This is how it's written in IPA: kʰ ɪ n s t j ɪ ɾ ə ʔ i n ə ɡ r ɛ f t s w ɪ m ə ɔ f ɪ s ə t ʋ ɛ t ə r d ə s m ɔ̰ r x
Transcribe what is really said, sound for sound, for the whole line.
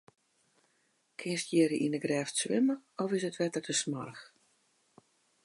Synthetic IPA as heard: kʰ ɪ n s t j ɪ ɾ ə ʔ i n ə ɡ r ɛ f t s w ɪ m ə ɔ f ɪ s ə t ʋ ɛ t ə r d ə s m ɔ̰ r x